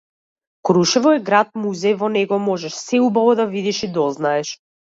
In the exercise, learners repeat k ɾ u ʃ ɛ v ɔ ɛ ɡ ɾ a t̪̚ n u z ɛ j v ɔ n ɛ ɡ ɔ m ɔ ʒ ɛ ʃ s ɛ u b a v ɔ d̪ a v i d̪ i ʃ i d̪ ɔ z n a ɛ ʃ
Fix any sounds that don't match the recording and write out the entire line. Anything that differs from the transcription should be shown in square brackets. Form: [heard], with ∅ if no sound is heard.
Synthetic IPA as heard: k ɾ u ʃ ɛ v ɔ ɛ ɡ ɾ a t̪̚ [m] u z ɛ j v ɔ n ɛ ɡ ɔ m ɔ ʒ ɛ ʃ s ɛ u b a v ɔ d̪ a v i d̪ i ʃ i d̪ ɔ z n a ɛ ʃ

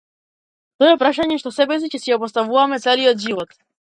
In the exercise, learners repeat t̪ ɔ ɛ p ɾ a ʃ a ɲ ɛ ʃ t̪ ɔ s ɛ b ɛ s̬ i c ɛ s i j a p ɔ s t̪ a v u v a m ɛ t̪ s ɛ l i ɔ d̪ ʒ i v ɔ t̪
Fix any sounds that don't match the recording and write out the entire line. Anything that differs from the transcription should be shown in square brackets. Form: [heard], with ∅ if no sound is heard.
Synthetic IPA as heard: t̪ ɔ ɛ p ɾ a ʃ a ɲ ɛ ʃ t̪ ɔ s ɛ b ɛ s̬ i c ɛ s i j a p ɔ s t̪ a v u v a m ɛ t̪ s ɛ l i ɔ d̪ ʒ i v ɔ t̪

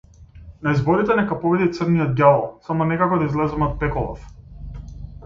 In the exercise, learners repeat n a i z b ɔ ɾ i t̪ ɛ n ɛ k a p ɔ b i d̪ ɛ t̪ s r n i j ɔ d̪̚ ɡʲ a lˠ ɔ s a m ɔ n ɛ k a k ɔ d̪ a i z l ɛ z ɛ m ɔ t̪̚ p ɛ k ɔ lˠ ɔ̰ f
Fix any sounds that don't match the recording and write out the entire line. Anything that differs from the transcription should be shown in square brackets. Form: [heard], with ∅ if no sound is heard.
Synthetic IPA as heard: n a i z b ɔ ɾ i t̪ ɛ n ɛ k a p ɔ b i d̪ [i] t̪ s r n i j ɔ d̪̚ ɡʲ a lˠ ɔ s a m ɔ n ɛ k a k ɔ d̪ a i z l ɛ z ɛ m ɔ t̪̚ p ɛ k ɔ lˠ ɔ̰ f

